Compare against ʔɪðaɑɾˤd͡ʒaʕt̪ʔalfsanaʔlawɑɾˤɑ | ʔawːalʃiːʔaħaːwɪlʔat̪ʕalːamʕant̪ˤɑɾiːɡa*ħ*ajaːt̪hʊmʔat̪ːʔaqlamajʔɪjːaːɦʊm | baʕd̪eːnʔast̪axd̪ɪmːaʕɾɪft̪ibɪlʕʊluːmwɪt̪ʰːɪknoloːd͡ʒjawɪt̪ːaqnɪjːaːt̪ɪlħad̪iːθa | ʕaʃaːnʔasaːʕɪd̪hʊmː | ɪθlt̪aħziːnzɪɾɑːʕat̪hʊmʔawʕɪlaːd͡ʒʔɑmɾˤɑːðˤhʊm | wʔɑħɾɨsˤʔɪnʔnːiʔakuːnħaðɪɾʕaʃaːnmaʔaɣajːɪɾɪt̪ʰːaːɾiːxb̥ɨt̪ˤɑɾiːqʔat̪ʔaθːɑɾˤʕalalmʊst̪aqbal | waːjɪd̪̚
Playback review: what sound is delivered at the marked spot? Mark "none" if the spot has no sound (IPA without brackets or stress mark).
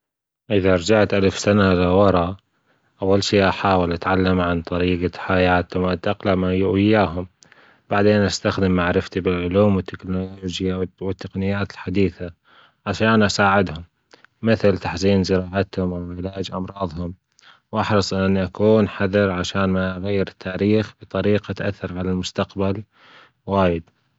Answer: ħ